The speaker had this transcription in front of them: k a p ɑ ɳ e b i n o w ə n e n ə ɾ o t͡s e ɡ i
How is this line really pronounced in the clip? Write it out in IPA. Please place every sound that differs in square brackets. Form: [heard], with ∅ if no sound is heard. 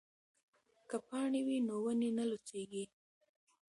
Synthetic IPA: k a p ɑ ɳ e [w] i n o w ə n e n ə [l] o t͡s e ɡ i